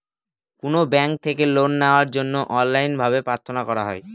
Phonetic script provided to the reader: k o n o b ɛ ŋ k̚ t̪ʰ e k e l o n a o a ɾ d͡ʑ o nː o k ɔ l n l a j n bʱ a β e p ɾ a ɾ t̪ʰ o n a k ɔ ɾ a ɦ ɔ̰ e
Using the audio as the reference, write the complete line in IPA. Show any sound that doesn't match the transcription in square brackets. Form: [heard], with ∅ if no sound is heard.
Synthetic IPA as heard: k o n o b ɛ ŋ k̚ t̪ʰ e k e l o [nː] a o a ɾ d͡ʑ o nː o [ʔ] ɔ [∅] n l a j n bʱ a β e p ɾ a ɾ t̪ʰ o n a k ɔ ɾ a ɦ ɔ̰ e